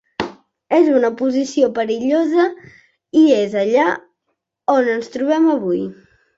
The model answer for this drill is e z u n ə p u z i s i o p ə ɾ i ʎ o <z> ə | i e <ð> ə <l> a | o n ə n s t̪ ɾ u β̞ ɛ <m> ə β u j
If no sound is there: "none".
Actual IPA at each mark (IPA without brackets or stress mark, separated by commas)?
z, z, ʎ, m